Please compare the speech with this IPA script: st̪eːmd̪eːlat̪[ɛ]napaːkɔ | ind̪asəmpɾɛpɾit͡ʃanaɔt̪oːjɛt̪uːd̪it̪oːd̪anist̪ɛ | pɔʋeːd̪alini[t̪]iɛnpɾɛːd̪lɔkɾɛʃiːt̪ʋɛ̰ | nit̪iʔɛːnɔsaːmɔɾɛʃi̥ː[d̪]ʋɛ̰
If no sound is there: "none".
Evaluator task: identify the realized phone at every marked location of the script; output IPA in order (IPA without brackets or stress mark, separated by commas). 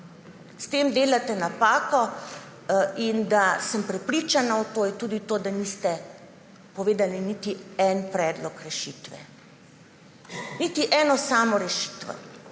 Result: ɛ, t̪, t̪